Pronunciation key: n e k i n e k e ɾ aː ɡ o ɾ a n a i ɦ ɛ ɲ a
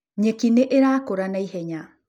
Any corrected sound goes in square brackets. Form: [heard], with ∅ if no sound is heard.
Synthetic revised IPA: [ɲ] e k i n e [ʔ] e ɾ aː [k] o ɾ a n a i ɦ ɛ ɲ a